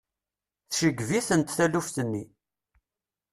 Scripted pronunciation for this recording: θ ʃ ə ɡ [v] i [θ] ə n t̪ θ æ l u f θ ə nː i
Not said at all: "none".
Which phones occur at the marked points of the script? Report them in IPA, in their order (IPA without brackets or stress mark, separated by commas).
v, θ